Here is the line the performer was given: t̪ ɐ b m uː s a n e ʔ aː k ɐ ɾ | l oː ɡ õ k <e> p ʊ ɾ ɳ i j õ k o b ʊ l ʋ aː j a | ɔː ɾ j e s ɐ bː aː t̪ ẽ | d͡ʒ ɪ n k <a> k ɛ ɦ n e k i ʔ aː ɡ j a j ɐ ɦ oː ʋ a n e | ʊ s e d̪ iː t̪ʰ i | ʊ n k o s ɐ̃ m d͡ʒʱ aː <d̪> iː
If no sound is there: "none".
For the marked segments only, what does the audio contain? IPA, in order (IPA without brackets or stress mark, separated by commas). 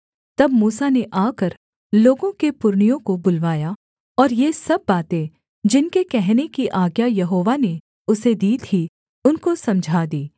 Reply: e, e, d̪